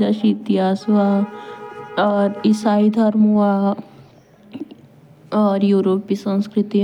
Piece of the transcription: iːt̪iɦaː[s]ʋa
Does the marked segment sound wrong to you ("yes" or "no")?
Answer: no